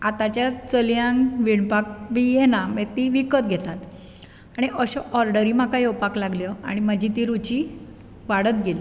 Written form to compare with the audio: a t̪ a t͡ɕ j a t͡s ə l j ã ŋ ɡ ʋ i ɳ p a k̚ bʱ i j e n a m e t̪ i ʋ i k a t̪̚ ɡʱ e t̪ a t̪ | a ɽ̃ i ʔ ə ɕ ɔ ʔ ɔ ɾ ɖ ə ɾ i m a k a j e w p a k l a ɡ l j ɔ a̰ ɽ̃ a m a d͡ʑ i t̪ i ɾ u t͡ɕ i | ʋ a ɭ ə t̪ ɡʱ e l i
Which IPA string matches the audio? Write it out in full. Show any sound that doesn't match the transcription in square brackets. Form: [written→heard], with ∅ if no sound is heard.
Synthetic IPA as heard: a t̪ a t͡ɕ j a t͡s ə l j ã ŋ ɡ ʋ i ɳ p a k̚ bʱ i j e n a m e t̪ i ʋ i k [a→ə] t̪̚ ɡʱ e t̪ a t̪ | a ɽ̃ i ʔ ə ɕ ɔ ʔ ɔ ɾ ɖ ə ɾ i m a k a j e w p a k l a ɡ l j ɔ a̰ ɽ̃ [a→i] m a d͡ʑ i t̪ i ɾ u t͡ɕ i | ʋ a [ɭ→ɽ] ə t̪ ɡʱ e l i